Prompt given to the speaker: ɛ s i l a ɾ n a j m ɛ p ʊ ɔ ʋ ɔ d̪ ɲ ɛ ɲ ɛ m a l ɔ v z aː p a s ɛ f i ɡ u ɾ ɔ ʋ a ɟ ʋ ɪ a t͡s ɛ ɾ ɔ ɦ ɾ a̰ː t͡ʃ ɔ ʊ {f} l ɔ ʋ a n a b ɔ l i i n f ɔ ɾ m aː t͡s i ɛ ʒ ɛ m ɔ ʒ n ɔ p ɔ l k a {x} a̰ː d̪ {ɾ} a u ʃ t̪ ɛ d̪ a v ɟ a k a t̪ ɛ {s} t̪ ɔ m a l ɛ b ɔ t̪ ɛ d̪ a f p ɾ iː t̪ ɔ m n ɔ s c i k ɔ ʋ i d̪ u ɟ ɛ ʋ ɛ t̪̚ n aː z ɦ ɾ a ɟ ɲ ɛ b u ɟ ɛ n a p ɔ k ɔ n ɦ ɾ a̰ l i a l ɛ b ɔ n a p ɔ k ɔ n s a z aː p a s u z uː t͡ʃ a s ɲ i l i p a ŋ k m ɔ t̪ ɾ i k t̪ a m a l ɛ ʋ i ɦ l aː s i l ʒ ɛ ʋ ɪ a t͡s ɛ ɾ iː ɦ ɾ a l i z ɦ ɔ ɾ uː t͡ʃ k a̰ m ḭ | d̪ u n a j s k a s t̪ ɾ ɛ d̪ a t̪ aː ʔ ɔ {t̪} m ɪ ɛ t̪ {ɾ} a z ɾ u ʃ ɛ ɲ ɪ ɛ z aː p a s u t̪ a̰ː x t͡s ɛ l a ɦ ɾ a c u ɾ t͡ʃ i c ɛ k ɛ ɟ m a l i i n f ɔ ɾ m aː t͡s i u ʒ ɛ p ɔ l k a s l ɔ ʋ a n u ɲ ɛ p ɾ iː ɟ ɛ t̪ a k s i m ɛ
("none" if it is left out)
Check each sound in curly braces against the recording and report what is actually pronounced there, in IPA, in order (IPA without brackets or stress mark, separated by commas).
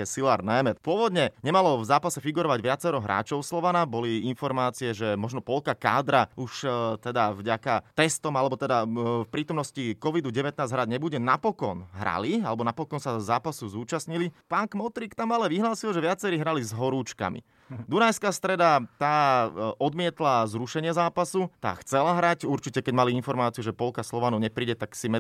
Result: s, k, ɾ, s, d̪, l